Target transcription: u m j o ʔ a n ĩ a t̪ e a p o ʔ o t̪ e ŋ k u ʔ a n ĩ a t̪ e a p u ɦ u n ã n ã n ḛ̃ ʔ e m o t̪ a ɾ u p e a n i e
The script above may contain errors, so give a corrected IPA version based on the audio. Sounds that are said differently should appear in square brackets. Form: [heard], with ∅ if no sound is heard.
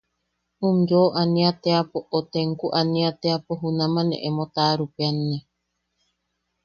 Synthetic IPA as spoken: u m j o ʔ a n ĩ a t̪ e a p o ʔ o t̪ e ŋ k u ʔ a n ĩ a t̪ e a p [o] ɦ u n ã [m] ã n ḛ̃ ʔ e m o t̪ a ɾ u p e a n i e